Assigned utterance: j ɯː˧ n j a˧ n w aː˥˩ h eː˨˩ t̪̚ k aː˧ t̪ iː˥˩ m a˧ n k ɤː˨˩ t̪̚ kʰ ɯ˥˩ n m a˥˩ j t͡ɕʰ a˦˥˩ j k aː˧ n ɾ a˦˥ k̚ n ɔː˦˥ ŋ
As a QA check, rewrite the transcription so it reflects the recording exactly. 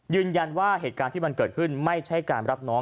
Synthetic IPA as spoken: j ɯː˧ n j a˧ n w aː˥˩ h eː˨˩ t̪̚ k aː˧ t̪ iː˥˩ m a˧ n k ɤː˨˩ t̪̚ kʰ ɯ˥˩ n m a˥˩ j t͡ɕʰ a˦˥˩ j k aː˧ n ɾ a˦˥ p̚ n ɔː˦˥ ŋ